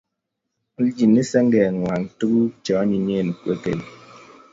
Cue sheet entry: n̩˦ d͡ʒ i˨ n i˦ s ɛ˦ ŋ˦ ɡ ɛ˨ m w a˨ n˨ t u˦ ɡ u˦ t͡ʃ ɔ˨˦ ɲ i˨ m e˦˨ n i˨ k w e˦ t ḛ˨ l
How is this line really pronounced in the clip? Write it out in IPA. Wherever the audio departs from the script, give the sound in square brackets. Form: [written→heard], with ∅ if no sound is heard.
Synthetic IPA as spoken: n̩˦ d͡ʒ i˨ n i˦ s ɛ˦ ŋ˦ ɡ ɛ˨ [m→ŋ] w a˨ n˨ t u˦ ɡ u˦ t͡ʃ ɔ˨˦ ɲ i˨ [m→ɲ] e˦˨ n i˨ k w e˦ [t→k] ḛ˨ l